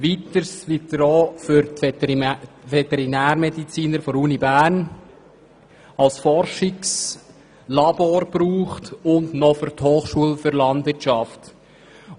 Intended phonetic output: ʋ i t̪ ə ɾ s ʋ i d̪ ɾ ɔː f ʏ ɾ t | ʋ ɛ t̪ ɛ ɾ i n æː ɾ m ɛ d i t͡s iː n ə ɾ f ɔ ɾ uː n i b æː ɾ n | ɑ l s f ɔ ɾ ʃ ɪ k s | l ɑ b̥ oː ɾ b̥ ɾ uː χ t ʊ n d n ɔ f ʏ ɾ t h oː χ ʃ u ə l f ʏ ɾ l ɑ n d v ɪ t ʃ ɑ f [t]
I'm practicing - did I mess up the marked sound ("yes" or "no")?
no